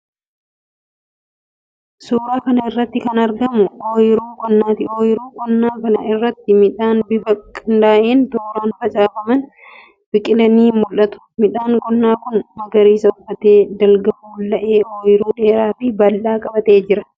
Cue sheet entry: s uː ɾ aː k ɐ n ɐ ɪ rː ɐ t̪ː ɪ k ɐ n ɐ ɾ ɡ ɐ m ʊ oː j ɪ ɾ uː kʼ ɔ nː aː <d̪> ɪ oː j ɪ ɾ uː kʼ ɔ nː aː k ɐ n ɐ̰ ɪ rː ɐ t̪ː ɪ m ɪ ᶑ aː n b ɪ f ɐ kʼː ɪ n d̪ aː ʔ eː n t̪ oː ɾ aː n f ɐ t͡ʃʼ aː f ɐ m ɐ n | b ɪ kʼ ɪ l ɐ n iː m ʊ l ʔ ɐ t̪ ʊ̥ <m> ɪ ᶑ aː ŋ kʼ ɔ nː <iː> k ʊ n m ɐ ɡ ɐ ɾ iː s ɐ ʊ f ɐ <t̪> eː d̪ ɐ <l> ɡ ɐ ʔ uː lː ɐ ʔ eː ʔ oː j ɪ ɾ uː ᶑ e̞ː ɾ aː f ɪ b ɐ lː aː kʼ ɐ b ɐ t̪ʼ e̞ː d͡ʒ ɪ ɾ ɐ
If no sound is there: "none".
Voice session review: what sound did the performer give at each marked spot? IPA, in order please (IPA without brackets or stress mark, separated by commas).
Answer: t̪, m, aː, t̪, l